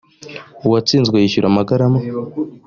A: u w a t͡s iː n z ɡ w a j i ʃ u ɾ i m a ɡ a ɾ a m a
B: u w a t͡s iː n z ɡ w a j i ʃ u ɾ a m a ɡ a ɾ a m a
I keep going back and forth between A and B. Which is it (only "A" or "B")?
B